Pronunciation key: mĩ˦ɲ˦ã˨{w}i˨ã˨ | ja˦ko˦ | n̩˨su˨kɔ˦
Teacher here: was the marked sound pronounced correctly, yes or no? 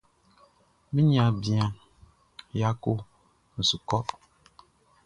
no